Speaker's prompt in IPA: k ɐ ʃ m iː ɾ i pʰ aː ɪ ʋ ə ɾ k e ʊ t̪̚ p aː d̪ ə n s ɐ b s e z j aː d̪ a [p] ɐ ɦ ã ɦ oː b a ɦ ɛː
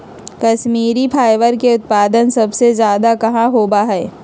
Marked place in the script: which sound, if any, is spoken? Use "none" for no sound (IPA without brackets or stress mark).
k